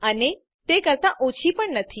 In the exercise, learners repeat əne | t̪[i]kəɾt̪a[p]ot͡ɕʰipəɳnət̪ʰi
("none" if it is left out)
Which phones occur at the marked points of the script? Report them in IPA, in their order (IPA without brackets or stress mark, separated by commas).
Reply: e, ʔ